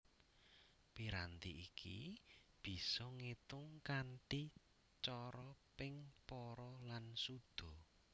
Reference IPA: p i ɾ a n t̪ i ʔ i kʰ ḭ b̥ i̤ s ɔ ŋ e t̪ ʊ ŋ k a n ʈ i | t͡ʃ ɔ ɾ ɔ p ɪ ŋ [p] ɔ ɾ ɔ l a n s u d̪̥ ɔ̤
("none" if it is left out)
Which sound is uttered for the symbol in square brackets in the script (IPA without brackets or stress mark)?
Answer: p